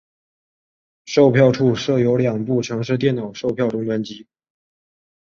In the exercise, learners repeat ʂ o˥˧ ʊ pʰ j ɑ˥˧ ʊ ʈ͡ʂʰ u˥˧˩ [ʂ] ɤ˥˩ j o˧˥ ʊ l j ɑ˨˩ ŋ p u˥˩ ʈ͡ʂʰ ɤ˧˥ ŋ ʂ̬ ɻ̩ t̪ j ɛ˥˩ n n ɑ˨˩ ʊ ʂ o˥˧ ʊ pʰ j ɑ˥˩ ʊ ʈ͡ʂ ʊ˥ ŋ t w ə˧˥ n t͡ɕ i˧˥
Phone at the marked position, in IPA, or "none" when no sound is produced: ʂ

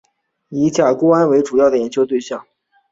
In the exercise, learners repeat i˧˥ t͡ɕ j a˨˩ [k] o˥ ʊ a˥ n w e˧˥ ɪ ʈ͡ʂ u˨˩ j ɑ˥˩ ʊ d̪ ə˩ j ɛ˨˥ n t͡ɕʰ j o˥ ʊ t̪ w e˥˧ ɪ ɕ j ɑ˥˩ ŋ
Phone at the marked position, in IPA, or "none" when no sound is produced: k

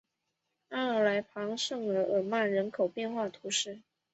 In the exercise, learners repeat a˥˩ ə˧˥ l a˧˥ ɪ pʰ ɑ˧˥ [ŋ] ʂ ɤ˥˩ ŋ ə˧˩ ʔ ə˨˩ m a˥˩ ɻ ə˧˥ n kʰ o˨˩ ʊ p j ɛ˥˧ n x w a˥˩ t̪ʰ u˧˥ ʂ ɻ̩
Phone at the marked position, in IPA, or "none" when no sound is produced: ŋ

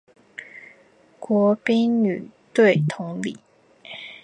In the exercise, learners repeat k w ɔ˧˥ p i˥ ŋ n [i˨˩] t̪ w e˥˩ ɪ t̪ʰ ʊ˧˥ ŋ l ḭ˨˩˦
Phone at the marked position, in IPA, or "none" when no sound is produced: y˨˩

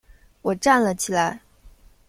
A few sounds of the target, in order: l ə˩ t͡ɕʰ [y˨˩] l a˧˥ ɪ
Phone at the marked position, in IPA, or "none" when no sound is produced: i˨˩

